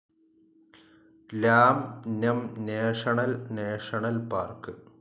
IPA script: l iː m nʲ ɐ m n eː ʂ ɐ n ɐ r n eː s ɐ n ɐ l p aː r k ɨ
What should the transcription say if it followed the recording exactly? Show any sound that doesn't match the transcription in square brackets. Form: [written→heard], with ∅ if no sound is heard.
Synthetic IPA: l [iː→aː] m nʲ ɐ m n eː ʂ ɐ [n→ɳ] ɐ [r→l] n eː [s→ʂ] ɐ [n→ɳ] ɐ l p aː r k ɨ

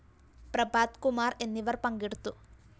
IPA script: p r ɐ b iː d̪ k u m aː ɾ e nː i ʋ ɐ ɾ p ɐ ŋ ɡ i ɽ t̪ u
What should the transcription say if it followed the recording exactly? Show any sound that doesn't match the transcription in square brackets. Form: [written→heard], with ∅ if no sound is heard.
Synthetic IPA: p [r→ɾ] ɐ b [iː→aː] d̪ k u m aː ɾ e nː i ʋ ɐ ɾ p ɐ ŋ ɡ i ɽ t̪ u

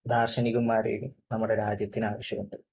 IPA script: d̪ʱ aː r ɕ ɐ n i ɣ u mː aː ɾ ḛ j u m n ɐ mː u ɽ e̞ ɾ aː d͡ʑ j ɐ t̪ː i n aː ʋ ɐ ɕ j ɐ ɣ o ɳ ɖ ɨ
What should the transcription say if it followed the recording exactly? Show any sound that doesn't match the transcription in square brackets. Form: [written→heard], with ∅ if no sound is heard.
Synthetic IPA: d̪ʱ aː r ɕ ɐ n i ɣ u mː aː ɾ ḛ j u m n ɐ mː u ɽ e̞ ɾ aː d͡ʑ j ɐ t̪ː i n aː ʋ ɐ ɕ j ɐ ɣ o ɳ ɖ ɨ

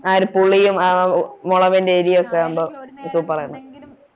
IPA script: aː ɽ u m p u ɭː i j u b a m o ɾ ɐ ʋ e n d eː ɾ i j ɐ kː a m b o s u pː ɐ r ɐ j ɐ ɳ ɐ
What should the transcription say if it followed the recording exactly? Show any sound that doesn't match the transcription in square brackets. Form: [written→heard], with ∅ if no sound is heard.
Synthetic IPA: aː [ɽ→ɾ] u [m→∅] p u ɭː i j u [b→m] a m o [ɾ→ɭ] ɐ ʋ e n d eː ɾ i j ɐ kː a m b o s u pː ɐ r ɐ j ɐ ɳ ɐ

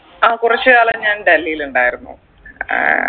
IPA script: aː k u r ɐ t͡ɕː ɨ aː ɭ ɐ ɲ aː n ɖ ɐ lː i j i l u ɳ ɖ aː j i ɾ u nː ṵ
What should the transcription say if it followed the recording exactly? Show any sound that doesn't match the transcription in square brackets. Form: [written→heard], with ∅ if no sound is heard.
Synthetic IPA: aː k u r ɐ t͡ɕː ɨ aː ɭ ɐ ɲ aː n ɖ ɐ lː i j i l u ɳ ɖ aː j i ɾ u nː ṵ

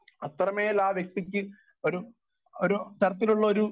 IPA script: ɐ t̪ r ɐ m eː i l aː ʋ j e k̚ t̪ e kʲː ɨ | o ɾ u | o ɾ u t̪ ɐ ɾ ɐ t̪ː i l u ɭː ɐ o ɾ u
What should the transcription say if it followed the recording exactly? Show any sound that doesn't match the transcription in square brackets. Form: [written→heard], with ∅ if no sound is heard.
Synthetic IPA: ɐ t̪ r ɐ m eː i l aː ʋ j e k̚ t̪ [e→i] kʲː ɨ | o ɾ u | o ɾ u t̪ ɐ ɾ ɐ t̪ː i l u ɭː ɐ o ɾ u

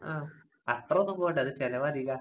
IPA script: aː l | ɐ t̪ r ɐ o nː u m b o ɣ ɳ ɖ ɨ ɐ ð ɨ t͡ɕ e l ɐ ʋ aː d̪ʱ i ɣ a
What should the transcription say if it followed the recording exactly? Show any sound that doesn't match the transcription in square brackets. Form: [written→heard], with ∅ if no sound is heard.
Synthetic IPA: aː [l→∅] | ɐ t̪ r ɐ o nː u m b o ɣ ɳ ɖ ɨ ɐ ð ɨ t͡ɕ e l ɐ ʋ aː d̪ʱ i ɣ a

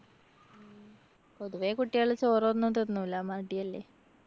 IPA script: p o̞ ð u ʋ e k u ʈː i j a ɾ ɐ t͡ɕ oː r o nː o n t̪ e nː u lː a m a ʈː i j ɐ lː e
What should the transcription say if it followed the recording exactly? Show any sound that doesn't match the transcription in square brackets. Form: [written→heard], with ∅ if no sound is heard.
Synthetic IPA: p o̞ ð u ʋ e k u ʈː i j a [ɾ→ɭ] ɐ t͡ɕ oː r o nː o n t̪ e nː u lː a m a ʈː i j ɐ lː e

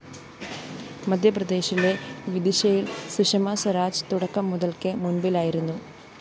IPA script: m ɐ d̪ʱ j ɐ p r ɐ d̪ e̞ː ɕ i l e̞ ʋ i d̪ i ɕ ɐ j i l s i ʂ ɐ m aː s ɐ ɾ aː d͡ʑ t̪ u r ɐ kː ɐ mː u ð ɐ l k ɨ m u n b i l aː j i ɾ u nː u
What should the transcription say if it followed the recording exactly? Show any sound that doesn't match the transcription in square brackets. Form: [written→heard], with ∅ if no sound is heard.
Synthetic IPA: m ɐ d̪ʱ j ɐ p r ɐ d̪ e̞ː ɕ i l e̞ ʋ i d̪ i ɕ ɐ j i l s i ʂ ɐ m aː s ɐ ɾ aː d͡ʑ t̪ u [r→ɽ] ɐ kː ɐ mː u ð ɐ l k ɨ m u n b i l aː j i ɾ u nː u

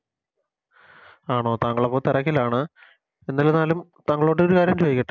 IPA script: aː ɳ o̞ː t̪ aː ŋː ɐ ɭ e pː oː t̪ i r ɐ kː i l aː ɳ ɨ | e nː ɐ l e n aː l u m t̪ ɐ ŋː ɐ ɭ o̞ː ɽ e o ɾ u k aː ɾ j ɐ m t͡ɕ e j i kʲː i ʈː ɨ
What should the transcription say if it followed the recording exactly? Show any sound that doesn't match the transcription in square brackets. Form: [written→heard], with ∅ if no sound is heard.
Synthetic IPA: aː ɳ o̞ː t̪ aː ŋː ɐ ɭ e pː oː t̪ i r ɐ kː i l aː ɳ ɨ | e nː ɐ l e n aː l u m t̪ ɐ ŋː ɐ ɭ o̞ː ɽ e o ɾ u k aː ɾ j ɐ m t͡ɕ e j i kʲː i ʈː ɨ

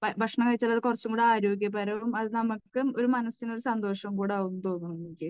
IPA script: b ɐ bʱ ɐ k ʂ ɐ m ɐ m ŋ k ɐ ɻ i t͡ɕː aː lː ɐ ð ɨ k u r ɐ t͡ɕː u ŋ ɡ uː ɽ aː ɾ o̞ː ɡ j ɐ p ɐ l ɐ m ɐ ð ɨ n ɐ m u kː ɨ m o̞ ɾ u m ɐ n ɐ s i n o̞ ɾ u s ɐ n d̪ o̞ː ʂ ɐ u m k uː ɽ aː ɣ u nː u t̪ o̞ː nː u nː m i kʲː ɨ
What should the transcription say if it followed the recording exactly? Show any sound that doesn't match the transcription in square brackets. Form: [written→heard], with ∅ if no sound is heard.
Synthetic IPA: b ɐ bʱ ɐ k ʂ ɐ [m→ɳ] ɐ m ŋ k ɐ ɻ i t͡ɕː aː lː ɐ ð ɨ k u r ɐ t͡ɕː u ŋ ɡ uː ɽ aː ɾ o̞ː ɡ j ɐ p ɐ [l→ɾ] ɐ m ɐ ð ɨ n ɐ m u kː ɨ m o̞ ɾ u m ɐ n ɐ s i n o̞ ɾ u s ɐ n d̪ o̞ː ʂ ɐ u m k uː ɽ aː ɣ u nː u t̪ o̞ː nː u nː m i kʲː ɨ

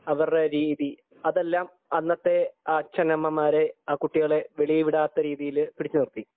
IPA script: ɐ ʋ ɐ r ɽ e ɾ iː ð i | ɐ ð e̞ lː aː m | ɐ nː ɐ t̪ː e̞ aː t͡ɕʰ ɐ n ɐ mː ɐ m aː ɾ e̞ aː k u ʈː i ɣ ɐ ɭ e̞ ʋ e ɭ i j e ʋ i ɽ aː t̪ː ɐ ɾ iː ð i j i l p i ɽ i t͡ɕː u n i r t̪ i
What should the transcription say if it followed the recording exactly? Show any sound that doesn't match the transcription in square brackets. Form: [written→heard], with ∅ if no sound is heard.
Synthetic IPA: ɐ ʋ ɐ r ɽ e ɾ iː ð i | ɐ ð e̞ lː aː m | ɐ nː ɐ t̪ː e̞ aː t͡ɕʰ ɐ n ɐ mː ɐ m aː ɾ e̞ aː k u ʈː i ɣ ɐ ɭ e̞ ʋ e ɭ i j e ʋ i ɽ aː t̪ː ɐ ɾ iː ð i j i l p i ɽ i t͡ɕː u n i r t̪ i

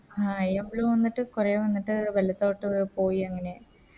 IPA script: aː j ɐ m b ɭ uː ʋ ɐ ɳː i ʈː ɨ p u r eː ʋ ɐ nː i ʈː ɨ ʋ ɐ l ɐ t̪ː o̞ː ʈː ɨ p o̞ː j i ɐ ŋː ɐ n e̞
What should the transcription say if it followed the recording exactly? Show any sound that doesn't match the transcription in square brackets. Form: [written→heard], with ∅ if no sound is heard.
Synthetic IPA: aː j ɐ m b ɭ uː ʋ ɐ [ɳː→nː] i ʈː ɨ [p→k] u r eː ʋ ɐ nː i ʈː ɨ ʋ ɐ l ɐ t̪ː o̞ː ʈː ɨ p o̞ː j i ɐ ŋː ɐ n e̞

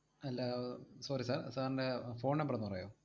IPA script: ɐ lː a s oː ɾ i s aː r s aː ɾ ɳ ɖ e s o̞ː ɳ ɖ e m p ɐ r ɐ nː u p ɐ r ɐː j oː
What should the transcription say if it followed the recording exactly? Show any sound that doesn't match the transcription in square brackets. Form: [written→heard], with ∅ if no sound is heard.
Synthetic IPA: ɐ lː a s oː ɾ i s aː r s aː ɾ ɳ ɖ e [s→f] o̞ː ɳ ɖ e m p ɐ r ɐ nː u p ɐ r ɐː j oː

